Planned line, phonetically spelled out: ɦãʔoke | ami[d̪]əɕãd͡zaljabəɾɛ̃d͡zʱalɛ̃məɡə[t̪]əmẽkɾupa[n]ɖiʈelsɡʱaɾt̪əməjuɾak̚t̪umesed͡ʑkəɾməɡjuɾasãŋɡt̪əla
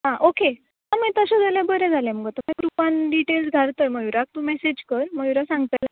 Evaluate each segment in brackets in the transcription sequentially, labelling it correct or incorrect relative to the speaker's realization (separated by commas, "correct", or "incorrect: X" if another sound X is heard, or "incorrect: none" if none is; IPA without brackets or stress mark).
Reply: incorrect: t̪, correct, correct